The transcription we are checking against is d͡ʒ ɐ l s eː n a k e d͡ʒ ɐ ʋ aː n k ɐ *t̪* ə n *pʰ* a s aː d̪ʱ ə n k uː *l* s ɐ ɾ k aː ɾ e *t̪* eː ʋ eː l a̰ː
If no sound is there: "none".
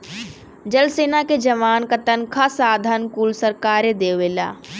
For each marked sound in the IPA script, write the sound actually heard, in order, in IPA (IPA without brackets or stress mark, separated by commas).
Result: t̪, kʰ, l, d̪